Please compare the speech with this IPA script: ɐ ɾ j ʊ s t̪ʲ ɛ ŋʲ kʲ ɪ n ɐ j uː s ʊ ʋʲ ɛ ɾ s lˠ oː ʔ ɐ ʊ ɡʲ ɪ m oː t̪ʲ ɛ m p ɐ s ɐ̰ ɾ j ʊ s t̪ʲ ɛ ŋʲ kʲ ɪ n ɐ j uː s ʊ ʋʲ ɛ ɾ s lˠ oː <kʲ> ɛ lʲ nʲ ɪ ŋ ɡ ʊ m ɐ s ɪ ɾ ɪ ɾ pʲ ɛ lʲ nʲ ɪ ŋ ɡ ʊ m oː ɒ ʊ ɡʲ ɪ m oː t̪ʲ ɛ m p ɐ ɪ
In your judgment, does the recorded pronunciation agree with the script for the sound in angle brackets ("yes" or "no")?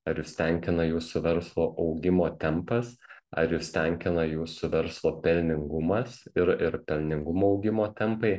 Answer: no